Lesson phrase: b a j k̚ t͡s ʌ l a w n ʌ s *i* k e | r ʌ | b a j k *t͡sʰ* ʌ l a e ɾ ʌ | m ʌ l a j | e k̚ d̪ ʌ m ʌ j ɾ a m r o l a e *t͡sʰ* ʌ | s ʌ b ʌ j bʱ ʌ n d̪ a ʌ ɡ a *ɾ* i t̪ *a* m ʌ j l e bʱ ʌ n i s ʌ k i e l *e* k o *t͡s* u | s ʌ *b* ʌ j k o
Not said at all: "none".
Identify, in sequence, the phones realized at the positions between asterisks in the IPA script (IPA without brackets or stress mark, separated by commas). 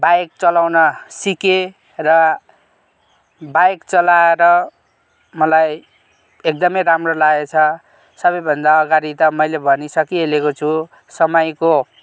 i, t͡s, t͡sʰ, ɾ, ʌ, e, t͡sʰ, m